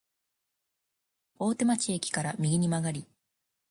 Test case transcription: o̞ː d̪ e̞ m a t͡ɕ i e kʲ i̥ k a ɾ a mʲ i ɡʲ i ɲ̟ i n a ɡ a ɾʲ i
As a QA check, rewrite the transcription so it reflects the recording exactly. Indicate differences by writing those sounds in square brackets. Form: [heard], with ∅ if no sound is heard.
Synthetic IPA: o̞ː [t̪] e̞ m a t͡ɕ i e kʲ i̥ k a ɾ a mʲ i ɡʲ i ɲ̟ i [m] a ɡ a ɾʲ i